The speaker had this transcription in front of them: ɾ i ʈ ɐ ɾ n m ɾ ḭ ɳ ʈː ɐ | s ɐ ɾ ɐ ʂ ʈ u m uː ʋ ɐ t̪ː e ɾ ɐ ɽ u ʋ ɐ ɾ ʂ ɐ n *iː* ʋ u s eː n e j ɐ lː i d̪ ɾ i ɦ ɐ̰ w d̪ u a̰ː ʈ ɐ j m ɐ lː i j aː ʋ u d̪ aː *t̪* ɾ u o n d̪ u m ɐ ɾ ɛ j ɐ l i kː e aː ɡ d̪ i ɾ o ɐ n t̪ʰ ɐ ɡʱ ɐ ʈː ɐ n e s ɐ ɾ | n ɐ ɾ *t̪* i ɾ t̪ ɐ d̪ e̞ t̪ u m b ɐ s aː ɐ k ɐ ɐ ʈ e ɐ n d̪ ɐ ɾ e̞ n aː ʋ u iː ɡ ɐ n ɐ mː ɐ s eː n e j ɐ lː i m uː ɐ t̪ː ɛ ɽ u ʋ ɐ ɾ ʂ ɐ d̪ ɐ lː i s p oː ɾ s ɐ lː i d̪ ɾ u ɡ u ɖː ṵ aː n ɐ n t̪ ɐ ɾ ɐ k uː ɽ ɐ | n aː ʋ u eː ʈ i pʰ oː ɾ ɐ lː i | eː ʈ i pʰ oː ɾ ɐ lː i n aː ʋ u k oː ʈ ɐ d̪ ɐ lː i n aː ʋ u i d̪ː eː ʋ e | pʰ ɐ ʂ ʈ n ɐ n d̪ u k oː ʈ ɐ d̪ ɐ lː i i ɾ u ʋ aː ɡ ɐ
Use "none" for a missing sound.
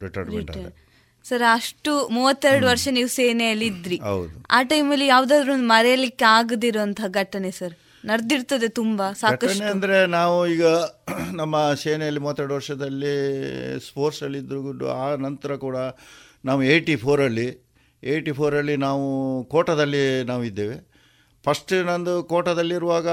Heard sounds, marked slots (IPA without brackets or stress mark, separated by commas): iː, d̪, d̪